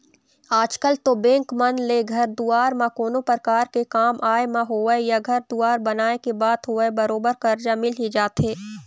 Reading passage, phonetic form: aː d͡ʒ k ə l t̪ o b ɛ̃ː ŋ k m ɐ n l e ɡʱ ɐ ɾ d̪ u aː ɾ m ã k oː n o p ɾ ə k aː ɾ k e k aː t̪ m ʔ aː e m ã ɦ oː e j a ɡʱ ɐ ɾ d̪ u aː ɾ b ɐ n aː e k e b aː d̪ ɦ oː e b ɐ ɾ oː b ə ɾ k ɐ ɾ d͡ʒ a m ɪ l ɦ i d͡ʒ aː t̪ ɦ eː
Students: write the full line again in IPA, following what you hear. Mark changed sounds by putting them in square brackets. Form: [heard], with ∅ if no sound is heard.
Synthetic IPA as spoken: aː d͡ʒ k ə l t̪ o b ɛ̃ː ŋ k m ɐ n l e ɡʱ ɐ ɾ d̪ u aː ɾ m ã k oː n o p ɾ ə k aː ɾ k e k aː [∅] m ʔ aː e m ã ɦ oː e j a ɡʱ ɐ ɾ d̪ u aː ɾ b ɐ n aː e k e b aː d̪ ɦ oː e b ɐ ɾ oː b ə ɾ k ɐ ɾ d͡ʒ a m ɪ l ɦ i d͡ʒ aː t̪ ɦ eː